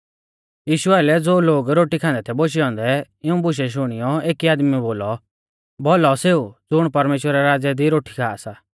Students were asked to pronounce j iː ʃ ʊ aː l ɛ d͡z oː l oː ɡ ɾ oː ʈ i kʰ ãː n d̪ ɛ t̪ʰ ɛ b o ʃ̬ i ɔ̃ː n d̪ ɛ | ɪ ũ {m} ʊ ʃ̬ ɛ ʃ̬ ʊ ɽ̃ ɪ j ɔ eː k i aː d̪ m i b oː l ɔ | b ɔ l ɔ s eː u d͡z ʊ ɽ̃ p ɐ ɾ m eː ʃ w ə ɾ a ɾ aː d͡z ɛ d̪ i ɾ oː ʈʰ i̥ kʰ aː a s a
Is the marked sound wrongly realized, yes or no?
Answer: yes